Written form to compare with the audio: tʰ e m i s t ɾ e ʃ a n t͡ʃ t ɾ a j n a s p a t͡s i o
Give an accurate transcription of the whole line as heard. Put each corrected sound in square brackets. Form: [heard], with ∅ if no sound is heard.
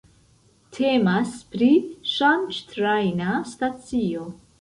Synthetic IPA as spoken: tʰ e m [a] s [p] ɾ [i] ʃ a n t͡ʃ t ɾ a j n a s [t] a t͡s i o